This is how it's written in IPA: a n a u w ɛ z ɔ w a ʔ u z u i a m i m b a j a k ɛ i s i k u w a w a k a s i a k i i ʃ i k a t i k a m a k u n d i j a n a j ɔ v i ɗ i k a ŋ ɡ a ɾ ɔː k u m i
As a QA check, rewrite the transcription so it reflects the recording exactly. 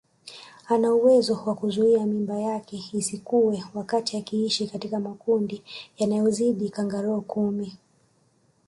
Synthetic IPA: a n a u w ɛ z ɔ w a k u z u i a m i m b a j a k ɛ i s i k u w ɛ w a k a t i a k i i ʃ i k a t i k a m a k u n d i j a n a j ɔ z i ɗ i k a ŋ ɡ a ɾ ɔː k u m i